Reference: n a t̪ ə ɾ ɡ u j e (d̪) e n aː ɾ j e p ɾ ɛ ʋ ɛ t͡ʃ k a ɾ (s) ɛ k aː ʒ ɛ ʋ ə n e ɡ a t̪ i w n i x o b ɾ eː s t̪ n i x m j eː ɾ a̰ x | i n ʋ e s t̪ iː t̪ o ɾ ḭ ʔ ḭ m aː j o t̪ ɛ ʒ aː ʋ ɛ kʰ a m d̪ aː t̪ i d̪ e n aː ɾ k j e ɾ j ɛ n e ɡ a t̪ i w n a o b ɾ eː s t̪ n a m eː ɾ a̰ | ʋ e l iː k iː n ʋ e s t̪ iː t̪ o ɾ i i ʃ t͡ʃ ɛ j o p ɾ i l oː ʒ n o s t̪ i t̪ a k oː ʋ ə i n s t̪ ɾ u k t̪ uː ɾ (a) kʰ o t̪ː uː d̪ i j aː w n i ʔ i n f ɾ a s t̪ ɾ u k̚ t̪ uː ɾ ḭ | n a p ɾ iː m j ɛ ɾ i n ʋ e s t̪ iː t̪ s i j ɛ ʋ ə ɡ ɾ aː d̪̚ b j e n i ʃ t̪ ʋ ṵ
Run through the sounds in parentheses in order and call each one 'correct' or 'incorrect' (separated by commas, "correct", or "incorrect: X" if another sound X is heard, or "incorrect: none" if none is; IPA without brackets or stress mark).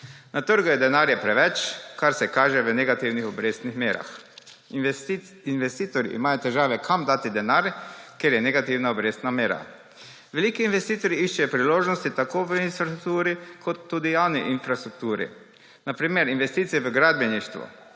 correct, correct, incorrect: i